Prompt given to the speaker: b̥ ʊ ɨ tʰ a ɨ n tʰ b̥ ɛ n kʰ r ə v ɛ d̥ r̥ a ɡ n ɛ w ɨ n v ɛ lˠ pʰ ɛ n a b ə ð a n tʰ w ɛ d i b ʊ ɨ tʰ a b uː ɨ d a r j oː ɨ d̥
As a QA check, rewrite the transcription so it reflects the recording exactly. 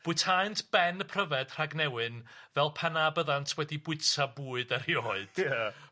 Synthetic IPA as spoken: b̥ ʊ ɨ tʰ a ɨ n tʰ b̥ ɛ n pʰ r ə v ɛ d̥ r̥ a ɡ n ɛ w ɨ n v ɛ lˠ pʰ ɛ n a b ə ð a n tʰ w ɛ d i b ʊ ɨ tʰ a b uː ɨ d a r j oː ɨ d̥